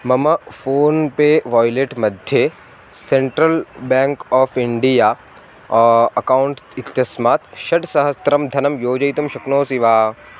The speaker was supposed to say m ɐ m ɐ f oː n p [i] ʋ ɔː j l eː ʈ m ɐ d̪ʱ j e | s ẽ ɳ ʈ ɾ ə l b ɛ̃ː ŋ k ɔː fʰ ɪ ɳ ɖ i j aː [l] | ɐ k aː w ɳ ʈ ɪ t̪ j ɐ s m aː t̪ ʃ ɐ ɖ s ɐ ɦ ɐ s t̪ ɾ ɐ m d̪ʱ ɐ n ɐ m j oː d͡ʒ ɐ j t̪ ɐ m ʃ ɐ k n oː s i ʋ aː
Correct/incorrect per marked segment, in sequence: incorrect: e, incorrect: none

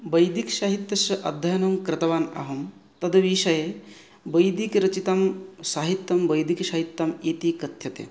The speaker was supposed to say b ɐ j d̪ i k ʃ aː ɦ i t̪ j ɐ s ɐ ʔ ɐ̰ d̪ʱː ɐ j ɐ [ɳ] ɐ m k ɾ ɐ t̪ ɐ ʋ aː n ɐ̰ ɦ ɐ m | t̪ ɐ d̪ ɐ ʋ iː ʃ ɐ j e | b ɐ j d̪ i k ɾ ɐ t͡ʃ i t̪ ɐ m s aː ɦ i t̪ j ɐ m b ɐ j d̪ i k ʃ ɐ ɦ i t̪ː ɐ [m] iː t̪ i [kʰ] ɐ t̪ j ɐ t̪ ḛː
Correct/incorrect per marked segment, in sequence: incorrect: n, correct, incorrect: k

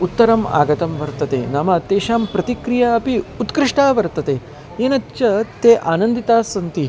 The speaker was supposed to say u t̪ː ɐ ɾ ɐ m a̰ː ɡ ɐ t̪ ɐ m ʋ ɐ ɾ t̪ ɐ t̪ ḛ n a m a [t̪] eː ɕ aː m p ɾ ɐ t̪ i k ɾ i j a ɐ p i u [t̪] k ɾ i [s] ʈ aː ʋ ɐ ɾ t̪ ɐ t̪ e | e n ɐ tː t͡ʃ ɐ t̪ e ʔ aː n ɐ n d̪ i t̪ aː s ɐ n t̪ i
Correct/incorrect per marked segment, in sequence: correct, correct, incorrect: ʂ

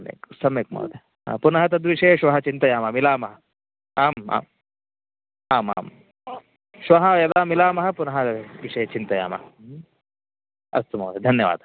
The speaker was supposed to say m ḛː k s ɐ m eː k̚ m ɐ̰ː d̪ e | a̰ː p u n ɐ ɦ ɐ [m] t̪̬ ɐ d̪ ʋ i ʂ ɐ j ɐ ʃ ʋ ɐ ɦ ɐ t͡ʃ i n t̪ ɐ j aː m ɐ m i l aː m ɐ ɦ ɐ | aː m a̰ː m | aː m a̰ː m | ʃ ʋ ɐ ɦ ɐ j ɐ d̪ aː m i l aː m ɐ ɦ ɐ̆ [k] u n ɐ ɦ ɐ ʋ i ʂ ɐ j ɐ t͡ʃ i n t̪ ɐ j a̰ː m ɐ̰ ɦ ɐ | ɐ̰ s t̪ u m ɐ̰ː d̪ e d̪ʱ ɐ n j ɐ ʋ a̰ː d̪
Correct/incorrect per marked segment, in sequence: incorrect: none, incorrect: p

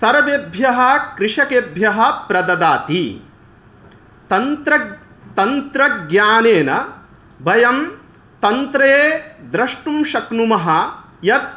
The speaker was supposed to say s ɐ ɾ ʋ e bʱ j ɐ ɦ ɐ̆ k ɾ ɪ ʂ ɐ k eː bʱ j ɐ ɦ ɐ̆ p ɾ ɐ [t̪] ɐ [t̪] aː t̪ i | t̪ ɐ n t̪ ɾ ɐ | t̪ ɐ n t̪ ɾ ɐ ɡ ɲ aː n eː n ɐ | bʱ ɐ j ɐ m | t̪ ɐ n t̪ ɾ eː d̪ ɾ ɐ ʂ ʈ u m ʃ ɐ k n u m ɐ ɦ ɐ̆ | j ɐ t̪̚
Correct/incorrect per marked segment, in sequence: incorrect: d̪, incorrect: d̪

